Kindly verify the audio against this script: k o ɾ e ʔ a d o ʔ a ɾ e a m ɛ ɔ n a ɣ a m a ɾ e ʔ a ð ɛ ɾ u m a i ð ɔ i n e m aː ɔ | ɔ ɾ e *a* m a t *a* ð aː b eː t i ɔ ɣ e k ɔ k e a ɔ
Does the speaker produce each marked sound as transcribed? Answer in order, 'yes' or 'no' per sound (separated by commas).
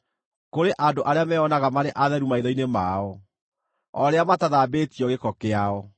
yes, yes